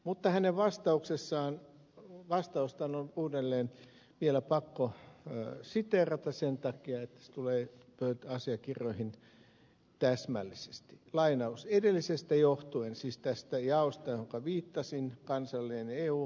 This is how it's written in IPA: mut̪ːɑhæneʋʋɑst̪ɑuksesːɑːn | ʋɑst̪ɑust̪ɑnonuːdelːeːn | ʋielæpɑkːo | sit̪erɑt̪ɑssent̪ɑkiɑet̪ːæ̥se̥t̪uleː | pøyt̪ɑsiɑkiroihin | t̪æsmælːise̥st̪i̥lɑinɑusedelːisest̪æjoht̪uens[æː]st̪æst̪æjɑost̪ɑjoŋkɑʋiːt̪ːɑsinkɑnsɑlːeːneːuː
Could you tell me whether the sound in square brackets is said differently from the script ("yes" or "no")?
yes